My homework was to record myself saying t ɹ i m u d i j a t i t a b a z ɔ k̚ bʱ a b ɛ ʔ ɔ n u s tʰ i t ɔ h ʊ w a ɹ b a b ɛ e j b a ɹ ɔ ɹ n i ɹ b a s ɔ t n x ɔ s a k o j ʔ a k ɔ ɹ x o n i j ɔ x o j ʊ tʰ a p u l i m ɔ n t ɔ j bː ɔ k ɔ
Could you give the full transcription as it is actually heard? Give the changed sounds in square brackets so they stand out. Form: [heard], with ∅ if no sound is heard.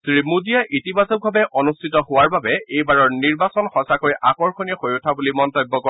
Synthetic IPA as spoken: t ɹ i m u d i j a [ʔ] i t [i] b a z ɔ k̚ bʱ a b ɛ ʔ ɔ n u s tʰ i t ɔ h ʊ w a ɹ b a b ɛ e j b a ɹ ɔ ɹ n i ɹ b a s ɔ [∅] n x ɔ s a k o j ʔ a k ɔ ɹ x o n i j ɔ x o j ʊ tʰ a [b] u l i m ɔ n t ɔ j bː ɔ k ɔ